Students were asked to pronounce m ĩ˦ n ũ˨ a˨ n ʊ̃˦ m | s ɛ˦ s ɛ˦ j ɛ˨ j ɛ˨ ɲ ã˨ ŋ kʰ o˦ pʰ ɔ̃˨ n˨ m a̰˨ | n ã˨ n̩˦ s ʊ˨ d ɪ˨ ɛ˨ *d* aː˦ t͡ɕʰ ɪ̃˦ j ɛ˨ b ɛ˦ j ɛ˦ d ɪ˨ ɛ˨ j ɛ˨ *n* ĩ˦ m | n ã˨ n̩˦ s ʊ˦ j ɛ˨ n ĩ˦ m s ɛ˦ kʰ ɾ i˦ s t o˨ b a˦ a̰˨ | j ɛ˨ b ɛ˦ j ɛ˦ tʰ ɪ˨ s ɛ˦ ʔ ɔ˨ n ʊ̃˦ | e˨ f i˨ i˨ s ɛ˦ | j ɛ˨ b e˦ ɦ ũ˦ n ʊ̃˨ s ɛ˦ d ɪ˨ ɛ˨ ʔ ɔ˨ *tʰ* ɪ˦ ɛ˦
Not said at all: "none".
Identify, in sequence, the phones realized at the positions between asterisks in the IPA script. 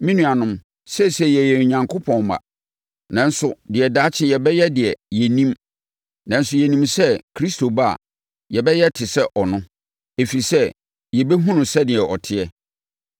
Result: d, n, tʰ

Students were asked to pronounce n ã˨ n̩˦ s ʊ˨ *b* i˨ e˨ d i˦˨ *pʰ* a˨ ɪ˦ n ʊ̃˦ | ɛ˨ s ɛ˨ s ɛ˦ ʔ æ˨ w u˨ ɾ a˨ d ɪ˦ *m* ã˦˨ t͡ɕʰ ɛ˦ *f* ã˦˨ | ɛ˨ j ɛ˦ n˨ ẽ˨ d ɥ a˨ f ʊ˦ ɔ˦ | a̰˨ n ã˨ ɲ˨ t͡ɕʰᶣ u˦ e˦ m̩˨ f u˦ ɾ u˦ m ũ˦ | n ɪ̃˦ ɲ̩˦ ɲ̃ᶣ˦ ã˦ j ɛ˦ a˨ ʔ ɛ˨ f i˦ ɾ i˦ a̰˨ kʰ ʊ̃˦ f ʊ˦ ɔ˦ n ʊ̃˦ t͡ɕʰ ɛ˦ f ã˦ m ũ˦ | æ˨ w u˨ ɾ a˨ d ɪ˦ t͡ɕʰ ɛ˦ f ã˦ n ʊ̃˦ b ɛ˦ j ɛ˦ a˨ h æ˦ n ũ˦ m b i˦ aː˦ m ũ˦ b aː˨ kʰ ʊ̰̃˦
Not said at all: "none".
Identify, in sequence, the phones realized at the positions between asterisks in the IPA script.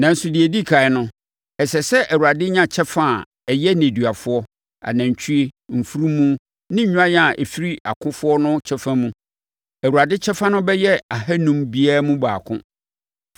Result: d, kʰ, ɲ, f

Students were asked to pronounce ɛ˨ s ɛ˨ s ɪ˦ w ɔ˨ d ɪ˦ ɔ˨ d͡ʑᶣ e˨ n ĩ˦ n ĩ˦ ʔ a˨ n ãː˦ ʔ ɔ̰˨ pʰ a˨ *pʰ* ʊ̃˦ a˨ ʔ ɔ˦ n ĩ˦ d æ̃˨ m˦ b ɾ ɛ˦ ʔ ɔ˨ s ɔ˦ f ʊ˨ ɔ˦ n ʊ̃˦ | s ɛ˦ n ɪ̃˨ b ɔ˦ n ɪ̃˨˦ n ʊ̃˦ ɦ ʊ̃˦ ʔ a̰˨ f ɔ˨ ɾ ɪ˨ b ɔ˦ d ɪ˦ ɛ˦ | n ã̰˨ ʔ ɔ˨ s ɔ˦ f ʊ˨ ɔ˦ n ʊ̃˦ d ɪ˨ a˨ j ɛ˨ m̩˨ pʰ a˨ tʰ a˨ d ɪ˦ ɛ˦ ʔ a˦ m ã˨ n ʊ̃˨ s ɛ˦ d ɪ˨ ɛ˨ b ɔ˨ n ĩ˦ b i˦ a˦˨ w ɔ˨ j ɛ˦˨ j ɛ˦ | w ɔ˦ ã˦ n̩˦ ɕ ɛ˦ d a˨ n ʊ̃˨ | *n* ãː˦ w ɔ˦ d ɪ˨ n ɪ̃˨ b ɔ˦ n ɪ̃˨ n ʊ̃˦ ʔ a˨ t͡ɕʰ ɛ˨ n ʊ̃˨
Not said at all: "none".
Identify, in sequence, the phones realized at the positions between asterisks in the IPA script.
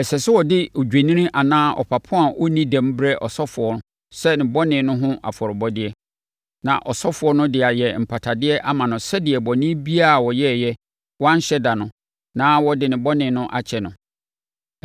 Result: pʰ, n

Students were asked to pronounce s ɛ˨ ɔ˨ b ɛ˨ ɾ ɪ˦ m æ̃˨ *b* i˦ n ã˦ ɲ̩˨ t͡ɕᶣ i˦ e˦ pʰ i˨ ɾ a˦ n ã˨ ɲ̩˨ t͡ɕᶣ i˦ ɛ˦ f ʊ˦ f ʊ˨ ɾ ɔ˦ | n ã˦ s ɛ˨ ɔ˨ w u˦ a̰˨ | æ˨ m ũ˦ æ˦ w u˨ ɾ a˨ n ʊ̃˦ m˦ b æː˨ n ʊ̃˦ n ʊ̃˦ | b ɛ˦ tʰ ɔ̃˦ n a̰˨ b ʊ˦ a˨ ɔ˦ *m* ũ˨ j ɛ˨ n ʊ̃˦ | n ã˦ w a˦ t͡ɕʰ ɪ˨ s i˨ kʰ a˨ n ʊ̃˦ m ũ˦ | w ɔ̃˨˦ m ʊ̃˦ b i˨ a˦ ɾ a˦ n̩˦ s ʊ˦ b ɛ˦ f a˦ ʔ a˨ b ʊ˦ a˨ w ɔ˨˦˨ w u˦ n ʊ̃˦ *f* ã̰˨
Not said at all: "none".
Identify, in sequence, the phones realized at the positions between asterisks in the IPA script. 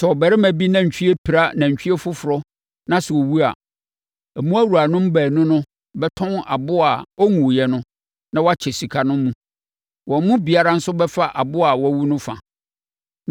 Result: b, ŋ, f

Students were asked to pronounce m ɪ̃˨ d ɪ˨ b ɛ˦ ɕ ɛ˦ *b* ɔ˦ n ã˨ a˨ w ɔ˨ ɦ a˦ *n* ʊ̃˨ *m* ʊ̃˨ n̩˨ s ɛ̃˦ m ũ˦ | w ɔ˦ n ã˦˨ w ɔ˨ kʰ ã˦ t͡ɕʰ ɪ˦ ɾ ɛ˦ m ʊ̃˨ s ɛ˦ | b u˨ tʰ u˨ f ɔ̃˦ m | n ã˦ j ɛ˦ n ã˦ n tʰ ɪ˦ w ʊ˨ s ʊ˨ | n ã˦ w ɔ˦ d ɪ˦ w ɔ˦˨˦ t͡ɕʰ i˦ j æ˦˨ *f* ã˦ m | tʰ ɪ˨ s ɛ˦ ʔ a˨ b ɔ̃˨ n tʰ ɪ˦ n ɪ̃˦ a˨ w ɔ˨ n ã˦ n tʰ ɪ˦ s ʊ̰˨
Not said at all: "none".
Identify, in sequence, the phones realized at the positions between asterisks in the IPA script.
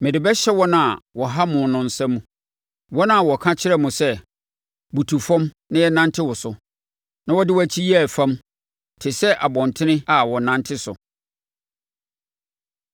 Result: w, m, n, f

